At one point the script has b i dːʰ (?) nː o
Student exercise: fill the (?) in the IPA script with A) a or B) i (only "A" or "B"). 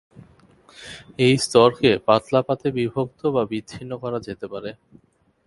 B